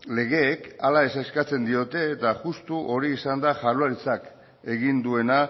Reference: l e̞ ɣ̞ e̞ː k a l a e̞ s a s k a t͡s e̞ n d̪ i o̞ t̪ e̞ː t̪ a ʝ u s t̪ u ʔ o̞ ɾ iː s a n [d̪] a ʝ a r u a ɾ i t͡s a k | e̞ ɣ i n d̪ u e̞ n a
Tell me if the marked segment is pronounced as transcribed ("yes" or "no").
yes